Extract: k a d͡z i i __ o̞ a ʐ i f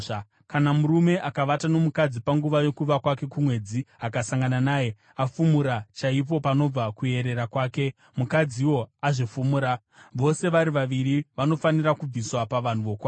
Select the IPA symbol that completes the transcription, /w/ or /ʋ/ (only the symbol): w